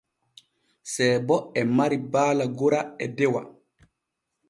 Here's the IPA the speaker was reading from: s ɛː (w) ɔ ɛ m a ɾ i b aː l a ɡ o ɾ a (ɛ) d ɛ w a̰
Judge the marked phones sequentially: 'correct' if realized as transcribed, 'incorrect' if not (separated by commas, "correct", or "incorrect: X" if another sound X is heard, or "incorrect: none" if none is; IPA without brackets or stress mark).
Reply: incorrect: b, correct